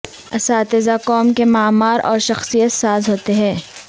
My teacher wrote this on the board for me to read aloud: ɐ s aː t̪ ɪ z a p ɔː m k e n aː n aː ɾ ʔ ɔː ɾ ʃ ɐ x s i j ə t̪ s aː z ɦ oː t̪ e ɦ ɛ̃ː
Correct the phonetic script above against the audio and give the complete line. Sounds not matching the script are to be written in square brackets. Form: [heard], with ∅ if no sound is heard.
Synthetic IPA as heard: ɐ s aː t̪ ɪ z a [k] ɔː m k e [m] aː [m] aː ɾ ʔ ɔː ɾ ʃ ɐ x s i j ə t̪ s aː z ɦ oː t̪ e ɦ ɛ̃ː